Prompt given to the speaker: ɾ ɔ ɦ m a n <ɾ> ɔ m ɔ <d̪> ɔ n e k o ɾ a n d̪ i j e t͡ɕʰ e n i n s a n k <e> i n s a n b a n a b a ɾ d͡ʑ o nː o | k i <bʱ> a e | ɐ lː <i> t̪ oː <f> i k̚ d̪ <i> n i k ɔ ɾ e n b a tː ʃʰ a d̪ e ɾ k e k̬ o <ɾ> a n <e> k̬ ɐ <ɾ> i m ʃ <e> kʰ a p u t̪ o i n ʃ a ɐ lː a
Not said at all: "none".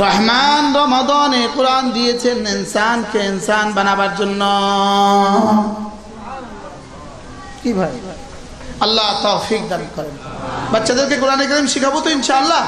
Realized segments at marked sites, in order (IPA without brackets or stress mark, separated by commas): ɾ, d̪, e, bʱ, a, f, a, ɾ, e, ɾ, i